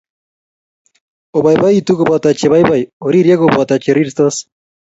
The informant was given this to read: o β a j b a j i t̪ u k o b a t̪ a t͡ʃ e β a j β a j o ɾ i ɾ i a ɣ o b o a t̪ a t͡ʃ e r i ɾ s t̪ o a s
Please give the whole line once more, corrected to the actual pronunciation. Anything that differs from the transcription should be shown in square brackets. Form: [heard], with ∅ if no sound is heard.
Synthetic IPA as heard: o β a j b a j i t̪ u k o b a t̪ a t͡ʃ e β a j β a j o ɾ i ɾ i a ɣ o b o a t̪ a t͡ʃ e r i ɾ s t̪ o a s